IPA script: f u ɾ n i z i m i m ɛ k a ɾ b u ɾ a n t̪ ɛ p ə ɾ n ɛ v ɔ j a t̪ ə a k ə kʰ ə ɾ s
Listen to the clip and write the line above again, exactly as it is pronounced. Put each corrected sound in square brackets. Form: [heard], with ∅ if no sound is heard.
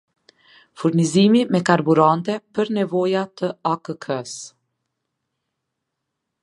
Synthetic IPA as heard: f u ɾ n i z i m i m ɛ k a ɾ b u ɾ a n t̪ ɛ p ə ɾ n ɛ v ɔ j a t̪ ə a k ə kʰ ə [∅] s